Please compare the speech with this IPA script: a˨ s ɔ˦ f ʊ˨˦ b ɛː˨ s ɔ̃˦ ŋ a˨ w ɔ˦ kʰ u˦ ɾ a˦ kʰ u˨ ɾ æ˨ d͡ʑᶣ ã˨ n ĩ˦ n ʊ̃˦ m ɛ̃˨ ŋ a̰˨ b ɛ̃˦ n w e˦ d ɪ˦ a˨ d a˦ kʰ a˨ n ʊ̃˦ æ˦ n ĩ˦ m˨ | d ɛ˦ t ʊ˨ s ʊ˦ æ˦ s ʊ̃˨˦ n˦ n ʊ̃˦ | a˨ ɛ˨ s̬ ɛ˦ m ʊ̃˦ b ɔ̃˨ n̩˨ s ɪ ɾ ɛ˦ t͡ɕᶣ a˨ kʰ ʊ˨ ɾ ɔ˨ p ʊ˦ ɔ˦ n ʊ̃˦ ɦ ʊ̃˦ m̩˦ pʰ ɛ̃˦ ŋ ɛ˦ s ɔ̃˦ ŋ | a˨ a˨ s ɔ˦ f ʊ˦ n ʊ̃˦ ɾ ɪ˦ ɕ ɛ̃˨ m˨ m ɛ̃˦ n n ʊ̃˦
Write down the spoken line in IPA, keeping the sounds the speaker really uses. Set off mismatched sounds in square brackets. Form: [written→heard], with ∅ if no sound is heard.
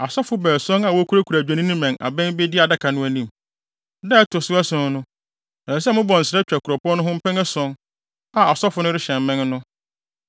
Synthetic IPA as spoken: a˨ s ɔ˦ f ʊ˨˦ b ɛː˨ s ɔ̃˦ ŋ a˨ w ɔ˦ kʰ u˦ ɾ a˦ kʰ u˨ ɾ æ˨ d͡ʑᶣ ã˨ n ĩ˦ n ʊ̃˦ m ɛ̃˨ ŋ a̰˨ b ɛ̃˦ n [w→b] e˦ d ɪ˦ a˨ d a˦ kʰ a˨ n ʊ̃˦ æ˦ n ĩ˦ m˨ | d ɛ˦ t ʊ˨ s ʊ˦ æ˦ s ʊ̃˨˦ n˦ n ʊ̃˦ | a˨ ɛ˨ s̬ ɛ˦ m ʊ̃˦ b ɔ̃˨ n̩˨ s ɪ ɾ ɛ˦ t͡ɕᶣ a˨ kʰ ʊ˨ ɾ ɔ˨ p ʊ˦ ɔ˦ n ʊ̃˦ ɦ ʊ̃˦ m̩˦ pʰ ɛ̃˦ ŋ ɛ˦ s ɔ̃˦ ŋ | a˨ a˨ s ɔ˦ f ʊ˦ n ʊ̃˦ ɾ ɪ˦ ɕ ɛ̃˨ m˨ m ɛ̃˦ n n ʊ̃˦